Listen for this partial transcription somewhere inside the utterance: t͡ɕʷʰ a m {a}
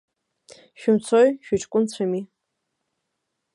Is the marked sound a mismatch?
yes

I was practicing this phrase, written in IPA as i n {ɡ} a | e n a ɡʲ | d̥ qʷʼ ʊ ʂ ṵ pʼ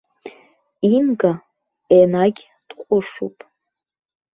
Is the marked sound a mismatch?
no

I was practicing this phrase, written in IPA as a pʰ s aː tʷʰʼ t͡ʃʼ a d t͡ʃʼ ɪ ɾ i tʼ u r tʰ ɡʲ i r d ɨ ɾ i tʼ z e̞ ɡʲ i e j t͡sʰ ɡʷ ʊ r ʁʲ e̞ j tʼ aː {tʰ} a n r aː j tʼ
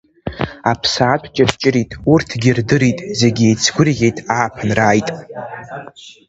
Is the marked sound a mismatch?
yes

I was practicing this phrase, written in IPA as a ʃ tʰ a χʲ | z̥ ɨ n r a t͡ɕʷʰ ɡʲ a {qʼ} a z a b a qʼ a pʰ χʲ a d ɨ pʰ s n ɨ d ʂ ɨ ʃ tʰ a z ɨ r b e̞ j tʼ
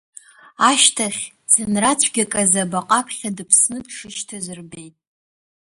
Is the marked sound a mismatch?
yes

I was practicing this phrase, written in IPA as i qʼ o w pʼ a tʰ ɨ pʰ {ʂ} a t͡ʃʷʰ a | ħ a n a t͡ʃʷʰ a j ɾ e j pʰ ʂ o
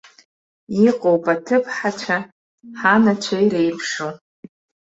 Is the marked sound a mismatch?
yes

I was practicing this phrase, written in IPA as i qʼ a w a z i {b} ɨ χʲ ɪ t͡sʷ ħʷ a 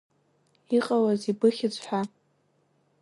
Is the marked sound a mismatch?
no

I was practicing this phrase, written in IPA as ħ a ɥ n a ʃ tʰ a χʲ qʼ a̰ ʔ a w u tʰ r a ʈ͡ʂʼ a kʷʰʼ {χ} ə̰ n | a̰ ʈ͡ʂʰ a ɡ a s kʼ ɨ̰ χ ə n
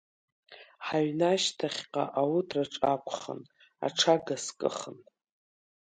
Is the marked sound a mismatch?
no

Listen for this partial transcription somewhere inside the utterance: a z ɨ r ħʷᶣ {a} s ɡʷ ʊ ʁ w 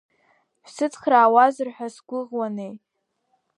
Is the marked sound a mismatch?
no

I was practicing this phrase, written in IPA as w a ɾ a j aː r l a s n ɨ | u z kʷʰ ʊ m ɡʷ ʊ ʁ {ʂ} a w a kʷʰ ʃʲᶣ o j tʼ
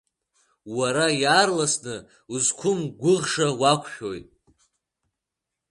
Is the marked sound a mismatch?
no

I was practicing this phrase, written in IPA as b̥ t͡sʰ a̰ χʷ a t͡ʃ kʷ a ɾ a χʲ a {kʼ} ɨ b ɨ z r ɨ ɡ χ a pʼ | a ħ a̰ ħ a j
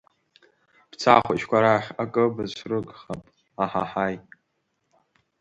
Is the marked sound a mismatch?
no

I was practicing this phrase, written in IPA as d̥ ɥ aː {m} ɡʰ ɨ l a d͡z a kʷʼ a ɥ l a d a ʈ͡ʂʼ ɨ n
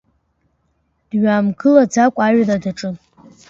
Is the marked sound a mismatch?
no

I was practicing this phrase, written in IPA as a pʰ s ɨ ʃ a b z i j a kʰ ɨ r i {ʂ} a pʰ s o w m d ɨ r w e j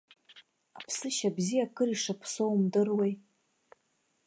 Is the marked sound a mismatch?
no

